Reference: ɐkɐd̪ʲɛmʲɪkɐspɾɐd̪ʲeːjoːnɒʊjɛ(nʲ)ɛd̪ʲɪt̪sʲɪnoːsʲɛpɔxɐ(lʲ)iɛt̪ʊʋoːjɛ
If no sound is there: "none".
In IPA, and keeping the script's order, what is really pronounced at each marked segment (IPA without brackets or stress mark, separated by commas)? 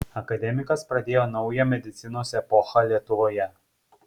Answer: mʲ, lʲ